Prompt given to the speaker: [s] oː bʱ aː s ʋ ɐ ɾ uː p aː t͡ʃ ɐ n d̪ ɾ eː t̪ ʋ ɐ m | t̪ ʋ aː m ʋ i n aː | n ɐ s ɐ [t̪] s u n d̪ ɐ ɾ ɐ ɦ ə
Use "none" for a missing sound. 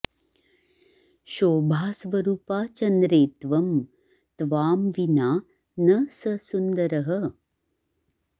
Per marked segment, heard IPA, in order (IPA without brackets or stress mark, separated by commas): ʃ, none